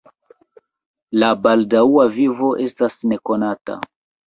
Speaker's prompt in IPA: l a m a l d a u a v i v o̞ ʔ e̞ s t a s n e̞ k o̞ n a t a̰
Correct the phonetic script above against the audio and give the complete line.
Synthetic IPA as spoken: l a b a l d a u a v i v o̞ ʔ e̞ s t a s n e̞ k o̞ n a t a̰